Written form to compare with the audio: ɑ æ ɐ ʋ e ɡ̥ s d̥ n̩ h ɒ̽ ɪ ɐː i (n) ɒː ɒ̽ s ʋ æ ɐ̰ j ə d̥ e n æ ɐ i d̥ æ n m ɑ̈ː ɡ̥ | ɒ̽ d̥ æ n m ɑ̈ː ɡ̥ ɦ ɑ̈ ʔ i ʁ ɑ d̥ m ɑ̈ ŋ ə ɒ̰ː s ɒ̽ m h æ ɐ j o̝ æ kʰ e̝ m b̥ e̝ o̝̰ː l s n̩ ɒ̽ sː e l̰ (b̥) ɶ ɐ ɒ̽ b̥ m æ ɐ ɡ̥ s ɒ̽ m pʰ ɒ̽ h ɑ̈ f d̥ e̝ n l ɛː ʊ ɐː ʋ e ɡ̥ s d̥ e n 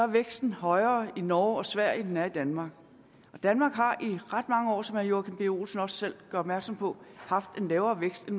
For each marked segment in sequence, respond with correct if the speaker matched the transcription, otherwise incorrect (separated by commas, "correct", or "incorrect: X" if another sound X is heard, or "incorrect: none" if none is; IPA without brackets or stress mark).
correct, incorrect: ɡ̥